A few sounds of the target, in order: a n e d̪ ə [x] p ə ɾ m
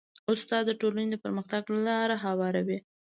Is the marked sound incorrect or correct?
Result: incorrect